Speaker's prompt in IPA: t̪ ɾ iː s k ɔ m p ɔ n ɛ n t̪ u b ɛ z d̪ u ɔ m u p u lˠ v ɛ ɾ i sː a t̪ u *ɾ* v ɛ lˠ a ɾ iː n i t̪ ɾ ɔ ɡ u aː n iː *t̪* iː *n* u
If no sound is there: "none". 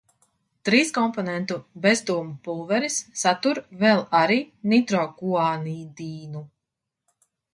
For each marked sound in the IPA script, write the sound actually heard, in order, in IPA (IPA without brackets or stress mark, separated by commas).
ɾ, d̪, n